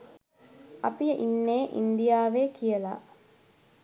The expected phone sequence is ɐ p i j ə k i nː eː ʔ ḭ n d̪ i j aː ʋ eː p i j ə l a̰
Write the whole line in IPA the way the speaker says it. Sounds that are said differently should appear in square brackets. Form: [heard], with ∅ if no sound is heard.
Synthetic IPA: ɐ p i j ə [ʔ] i nː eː ʔ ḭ n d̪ i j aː ʋ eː [k] i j ə l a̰